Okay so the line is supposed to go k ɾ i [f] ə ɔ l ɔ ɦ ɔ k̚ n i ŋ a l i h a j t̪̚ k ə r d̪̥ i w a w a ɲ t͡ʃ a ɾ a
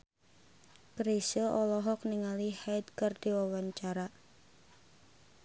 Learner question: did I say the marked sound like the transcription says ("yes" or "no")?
no